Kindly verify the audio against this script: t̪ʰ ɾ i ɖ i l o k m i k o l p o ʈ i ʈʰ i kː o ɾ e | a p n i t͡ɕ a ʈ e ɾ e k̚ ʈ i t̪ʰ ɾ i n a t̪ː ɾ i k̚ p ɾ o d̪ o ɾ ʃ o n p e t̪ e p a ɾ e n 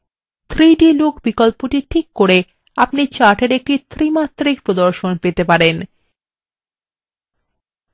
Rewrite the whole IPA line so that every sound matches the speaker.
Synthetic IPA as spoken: t̪ʰ ɾ i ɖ i l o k b i k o l p o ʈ i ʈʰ i kː o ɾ e | a p n i t͡ɕ a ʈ e ɾ e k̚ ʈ i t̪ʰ ɾ i m a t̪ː ɾ i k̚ p ɾ o d̪ o ɾ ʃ o n p e t̪ e p a ɾ e n